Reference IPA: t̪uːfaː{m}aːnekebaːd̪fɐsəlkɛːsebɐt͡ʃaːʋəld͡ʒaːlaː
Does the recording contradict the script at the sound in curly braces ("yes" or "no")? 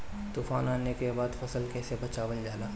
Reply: yes